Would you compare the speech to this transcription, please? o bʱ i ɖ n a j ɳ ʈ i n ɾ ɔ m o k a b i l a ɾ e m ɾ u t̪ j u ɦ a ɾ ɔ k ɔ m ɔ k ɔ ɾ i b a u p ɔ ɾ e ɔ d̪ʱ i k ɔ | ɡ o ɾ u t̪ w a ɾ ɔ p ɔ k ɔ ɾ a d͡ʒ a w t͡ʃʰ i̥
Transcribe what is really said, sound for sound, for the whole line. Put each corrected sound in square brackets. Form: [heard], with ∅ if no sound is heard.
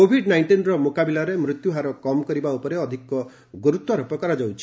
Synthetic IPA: o bʱ i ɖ n a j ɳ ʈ i n ɾ ɔ m o k a b i l a ɾ e m ɾ u t̪ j u ɦ a ɾ ɔ k ɔ m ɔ k ɔ ɾ i b a u p ɔ ɾ e ɔ d̪ʱ i k ɔ | ɡ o ɾ u t̪ w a ɾ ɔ p ɔ k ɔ ɾ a d͡ʒ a w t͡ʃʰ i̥